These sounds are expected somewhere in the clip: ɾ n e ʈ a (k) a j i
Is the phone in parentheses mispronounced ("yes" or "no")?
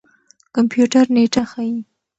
yes